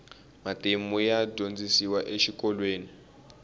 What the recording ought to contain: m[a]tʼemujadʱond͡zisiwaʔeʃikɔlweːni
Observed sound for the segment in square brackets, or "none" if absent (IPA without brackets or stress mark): a